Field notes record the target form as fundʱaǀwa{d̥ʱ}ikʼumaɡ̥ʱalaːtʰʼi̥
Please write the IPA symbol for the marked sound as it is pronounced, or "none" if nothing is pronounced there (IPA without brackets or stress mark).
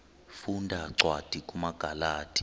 d̥ʱ